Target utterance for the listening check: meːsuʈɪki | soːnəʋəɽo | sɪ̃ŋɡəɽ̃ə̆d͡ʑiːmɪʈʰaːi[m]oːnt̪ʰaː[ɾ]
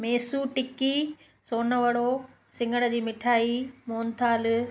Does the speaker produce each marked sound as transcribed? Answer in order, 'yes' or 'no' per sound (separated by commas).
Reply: yes, no